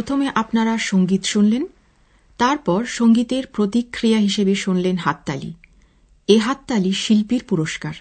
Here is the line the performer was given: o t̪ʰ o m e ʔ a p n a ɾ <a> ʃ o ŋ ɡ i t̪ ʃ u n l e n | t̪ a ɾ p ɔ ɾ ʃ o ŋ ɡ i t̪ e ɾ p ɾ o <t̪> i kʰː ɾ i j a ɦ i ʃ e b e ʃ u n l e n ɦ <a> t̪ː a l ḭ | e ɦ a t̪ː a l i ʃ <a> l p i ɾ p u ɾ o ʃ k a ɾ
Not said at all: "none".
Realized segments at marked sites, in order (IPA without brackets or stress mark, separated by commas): a, t̪, a, i